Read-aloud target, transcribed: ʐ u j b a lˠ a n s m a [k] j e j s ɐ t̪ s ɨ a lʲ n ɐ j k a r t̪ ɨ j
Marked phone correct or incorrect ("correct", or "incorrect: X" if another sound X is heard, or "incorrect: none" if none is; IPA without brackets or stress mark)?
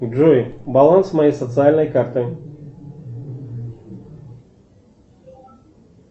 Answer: incorrect: none